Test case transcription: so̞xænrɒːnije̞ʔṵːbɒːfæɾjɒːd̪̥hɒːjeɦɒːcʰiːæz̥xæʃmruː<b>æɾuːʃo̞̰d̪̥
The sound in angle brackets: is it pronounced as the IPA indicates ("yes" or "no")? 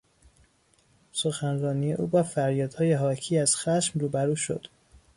yes